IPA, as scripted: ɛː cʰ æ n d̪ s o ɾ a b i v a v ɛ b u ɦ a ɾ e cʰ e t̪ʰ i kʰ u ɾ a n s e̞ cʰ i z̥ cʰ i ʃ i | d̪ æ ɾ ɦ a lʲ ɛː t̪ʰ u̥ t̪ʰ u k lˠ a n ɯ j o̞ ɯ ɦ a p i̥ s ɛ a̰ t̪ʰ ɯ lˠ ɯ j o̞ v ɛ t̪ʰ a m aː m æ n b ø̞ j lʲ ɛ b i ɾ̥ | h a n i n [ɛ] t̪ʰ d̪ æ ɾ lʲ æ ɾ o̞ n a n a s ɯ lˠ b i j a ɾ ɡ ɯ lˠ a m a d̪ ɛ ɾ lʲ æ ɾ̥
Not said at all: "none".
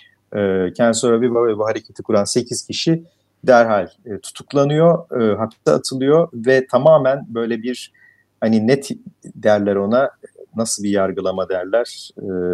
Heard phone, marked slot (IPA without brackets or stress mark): ɛ